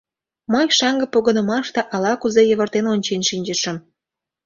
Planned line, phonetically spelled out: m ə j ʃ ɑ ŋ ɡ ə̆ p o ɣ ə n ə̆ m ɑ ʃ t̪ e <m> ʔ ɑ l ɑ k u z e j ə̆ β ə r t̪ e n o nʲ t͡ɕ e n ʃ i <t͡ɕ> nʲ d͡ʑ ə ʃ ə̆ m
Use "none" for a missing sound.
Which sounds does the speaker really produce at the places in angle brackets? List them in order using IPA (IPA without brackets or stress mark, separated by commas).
none, none